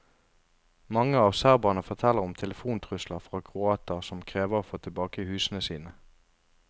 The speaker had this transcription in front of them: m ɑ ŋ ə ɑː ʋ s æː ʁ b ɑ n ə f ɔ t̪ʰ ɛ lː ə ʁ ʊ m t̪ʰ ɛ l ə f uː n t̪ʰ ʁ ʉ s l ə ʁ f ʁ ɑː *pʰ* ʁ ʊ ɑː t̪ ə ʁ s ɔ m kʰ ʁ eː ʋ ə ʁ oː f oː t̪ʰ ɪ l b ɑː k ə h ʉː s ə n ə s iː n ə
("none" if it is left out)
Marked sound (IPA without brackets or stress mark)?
kʰ